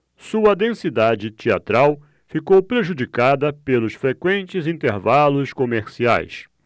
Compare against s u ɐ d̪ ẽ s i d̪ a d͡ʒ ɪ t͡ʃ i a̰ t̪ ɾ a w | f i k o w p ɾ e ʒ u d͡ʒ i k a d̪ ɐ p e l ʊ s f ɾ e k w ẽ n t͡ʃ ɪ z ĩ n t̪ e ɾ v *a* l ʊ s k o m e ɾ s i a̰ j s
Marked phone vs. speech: correct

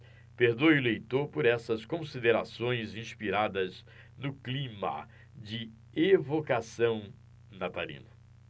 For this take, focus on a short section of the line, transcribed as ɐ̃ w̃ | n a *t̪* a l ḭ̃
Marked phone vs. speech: correct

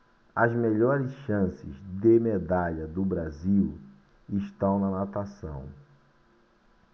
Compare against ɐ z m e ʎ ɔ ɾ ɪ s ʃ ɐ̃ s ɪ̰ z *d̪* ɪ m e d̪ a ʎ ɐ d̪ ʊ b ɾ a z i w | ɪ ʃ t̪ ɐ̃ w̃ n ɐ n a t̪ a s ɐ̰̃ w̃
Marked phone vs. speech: correct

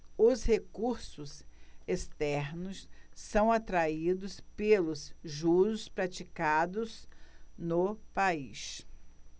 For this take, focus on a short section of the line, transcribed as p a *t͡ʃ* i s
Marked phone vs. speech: incorrect: none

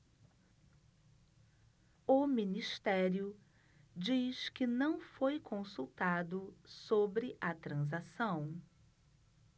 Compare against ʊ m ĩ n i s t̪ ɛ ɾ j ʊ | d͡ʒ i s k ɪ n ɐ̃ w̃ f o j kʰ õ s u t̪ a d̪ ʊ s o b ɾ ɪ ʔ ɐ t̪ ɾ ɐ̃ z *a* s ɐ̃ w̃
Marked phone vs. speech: correct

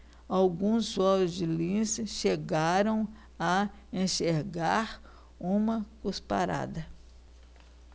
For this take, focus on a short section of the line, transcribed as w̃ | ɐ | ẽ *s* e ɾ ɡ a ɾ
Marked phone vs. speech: incorrect: ʃ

